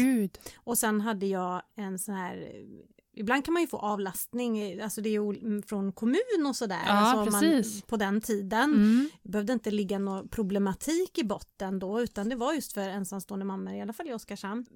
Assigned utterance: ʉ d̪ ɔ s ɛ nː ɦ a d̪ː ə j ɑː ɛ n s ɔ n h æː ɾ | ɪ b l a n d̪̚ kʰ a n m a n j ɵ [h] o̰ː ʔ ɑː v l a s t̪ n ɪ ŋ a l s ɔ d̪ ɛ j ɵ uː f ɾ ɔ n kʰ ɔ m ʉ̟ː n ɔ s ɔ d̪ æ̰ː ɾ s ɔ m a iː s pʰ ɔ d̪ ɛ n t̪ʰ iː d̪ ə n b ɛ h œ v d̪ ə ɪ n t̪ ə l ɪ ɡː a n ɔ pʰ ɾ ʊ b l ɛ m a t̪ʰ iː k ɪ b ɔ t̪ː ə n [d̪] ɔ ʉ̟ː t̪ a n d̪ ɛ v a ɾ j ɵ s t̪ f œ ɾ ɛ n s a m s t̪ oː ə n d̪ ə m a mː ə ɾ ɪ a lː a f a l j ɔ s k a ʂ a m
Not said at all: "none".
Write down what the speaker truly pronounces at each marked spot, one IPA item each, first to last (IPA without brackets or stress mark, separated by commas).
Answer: f, d̪